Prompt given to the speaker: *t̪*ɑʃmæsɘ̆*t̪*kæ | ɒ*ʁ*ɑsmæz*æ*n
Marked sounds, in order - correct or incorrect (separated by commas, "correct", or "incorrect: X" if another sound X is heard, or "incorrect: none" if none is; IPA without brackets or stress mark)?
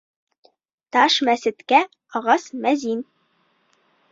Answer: correct, correct, correct, incorrect: i